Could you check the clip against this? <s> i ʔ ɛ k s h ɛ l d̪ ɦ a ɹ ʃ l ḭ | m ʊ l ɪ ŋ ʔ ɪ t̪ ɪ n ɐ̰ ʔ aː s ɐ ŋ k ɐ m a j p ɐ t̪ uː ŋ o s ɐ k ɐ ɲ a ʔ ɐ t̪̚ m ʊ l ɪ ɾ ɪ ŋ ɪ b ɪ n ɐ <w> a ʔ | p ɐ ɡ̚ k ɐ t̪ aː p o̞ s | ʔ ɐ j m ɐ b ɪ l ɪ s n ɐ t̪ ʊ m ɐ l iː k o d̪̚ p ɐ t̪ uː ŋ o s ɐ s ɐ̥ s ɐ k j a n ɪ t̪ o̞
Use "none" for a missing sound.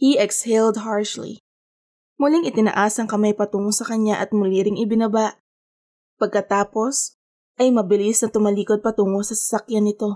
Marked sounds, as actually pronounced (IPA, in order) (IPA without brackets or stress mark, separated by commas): h, b